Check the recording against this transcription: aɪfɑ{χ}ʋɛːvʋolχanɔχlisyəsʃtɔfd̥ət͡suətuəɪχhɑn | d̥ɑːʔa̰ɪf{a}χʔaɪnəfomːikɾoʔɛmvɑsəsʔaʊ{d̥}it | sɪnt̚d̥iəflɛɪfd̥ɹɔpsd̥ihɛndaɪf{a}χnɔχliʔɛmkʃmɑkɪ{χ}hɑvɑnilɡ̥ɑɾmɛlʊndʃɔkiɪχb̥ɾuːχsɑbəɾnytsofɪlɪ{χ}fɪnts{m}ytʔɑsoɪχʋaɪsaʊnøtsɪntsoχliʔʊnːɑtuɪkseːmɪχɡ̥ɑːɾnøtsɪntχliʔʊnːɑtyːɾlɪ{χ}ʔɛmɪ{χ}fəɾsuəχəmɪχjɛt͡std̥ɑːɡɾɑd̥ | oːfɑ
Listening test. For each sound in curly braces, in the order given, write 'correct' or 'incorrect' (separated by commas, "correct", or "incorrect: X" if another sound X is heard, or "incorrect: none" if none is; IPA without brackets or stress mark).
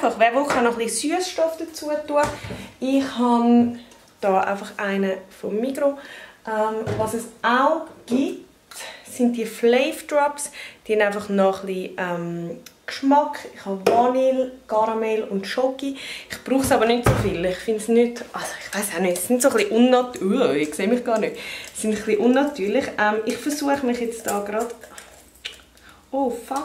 correct, incorrect: ɑ, incorrect: ɡ̥, incorrect: ɑ, correct, correct, incorrect: n, correct, correct